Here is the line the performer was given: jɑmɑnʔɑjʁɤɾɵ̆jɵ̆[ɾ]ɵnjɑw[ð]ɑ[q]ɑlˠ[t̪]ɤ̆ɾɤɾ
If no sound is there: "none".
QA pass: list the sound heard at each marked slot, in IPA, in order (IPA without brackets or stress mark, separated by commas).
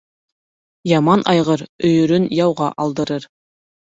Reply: ɾ, ʁ, ʔ, d̪